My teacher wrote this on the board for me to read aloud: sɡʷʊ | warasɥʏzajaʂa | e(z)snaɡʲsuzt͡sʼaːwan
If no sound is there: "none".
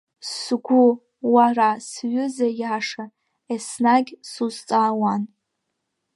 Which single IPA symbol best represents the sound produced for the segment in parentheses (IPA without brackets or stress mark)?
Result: none